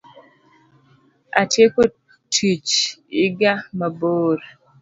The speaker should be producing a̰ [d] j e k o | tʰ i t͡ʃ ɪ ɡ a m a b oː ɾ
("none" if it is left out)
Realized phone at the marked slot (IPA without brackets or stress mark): t